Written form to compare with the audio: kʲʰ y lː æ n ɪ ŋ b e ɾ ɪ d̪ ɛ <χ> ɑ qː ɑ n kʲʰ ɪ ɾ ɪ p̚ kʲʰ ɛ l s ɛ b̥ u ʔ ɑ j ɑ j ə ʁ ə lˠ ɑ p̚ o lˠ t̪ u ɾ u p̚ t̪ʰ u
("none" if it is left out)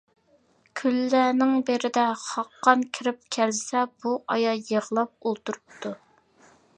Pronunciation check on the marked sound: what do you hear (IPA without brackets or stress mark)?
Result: χ